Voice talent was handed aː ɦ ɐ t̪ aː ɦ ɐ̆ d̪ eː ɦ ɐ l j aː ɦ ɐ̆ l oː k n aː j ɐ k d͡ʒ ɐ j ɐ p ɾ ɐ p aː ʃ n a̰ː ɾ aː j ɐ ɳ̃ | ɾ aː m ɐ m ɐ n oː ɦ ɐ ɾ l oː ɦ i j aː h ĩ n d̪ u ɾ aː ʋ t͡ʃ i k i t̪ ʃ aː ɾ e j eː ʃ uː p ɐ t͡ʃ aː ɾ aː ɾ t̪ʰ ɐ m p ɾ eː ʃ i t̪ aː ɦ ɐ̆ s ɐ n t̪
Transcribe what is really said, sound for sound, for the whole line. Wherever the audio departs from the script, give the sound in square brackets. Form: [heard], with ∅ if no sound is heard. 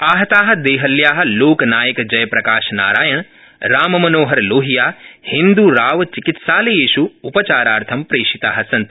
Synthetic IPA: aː ɦ ɐ t̪ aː ɦ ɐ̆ d̪ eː ɦ ɐ l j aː ɦ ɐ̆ l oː k n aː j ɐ k d͡ʒ ɐ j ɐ p ɾ ɐ [k] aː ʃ n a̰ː ɾ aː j ɐ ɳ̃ | ɾ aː m ɐ m ɐ n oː ɦ ɐ ɾ l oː ɦ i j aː h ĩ n d̪ u ɾ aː ʋ t͡ʃ i k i t̪ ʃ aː [l] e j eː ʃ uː p ɐ t͡ʃ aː ɾ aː ɾ t̪ʰ ɐ m p ɾ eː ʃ i t̪ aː ɦ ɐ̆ s ɐ n t̪